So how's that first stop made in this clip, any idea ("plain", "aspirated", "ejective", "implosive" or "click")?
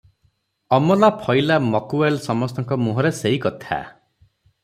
aspirated